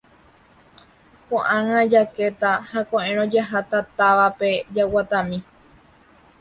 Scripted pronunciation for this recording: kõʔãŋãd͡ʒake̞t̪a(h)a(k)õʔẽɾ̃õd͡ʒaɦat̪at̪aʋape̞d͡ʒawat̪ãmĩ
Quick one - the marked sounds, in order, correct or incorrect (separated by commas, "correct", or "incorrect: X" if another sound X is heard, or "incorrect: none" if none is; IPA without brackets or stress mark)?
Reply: correct, correct